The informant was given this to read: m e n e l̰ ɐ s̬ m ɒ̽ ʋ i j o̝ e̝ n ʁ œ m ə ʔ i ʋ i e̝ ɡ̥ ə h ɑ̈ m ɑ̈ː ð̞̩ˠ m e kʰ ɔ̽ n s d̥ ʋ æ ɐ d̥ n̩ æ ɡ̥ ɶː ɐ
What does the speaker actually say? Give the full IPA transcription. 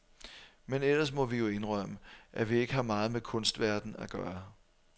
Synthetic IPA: m e n e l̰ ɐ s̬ m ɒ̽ ʋ i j o̝ e̝ n ʁ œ m ə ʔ æ ʋ i e̝ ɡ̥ ə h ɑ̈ m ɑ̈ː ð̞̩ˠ m e kʰ ɔ̽ n s d̥ ʋ æ ɐ d̥ n̩ æ ɡ̥ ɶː ɐ

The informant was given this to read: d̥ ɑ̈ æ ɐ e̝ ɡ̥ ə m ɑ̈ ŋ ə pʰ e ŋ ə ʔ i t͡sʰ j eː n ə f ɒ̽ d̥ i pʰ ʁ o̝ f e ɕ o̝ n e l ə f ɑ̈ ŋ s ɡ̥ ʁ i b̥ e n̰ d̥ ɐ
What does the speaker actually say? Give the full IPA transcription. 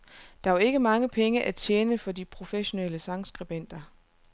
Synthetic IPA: d̥ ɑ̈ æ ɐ e̝ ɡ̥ ə m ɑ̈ ŋ ə pʰ e ŋ ə ʔ æ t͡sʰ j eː n ə f ɒ̽ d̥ i pʰ ʁ o̝ f e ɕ o̝ n e l ə s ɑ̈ ŋ s ɡ̥ ʁ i b̥ e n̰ d̥ ɐ

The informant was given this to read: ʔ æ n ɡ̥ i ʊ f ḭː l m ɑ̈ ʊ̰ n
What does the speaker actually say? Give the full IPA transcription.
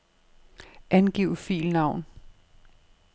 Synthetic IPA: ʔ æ n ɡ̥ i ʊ f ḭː l n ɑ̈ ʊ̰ n

